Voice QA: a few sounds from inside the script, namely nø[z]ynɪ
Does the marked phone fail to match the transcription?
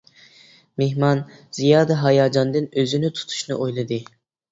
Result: no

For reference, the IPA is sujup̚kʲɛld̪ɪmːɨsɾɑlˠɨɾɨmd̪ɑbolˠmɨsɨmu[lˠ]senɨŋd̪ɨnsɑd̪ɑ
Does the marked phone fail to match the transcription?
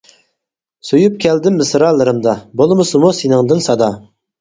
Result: yes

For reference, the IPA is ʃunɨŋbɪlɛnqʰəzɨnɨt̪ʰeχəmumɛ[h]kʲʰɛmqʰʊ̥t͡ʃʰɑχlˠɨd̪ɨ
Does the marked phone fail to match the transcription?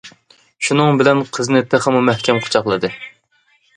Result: no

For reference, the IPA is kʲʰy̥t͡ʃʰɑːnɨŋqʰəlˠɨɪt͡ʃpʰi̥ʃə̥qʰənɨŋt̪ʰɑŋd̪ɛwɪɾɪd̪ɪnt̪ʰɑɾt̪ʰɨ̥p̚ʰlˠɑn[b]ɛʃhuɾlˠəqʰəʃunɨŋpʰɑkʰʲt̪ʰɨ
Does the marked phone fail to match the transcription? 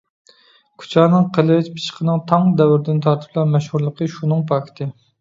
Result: yes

